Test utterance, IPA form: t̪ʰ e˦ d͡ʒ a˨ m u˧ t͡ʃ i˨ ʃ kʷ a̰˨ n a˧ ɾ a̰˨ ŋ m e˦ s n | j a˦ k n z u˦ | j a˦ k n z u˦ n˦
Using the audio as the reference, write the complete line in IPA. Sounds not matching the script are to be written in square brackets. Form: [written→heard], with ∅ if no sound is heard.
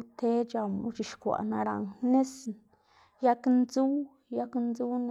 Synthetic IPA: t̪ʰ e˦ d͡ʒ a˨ m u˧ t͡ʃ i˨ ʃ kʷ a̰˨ n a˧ ɾ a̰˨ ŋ [m→n] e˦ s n | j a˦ k n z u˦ | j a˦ k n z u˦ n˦